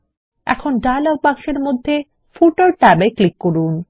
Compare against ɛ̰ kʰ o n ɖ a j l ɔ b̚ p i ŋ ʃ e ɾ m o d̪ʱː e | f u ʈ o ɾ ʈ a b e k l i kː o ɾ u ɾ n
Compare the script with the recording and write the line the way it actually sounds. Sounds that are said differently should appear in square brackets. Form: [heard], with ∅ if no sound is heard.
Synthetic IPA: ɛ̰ kʰ o n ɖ a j l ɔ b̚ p [a] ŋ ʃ e ɾ m o d̪ʱː e | f u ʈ o ɾ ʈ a b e k l i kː o ɾ u [∅] n